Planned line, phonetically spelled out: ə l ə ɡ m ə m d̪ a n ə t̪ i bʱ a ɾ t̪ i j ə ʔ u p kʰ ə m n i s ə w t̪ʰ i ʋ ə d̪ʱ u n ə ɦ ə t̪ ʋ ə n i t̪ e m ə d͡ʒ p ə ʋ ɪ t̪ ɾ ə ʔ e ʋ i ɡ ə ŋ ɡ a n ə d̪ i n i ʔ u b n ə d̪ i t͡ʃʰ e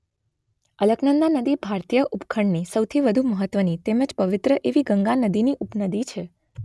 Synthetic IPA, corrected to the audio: ə l ə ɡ n ə n d̪ a n ə d̪ i bʱ a ɾ t̪ i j ə ʔ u p kʰ ə ɳ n i s ə w t̪ʰ i ʋ ə d̪ʱ u m ə ɦ ə t̪ ʋ ə n i t̪ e m ə d͡ʒ p ə ʋ ɪ t̪ ɾ ə ʔ e ʋ i ɡ ə ŋ ɡ a n ə d̪ i n i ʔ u p n ə d̪ i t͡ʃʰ e